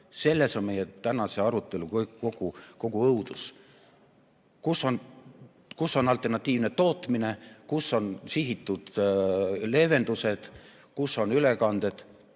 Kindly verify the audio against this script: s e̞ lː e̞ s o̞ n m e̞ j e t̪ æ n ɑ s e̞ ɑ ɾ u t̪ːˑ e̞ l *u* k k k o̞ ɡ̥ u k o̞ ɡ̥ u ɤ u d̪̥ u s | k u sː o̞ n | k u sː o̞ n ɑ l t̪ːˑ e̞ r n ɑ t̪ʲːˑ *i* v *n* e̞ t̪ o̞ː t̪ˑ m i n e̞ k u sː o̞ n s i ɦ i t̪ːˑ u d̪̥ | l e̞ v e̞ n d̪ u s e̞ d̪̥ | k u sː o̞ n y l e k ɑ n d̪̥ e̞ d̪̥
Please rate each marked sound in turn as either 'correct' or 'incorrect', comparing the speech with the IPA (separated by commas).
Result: correct, incorrect, correct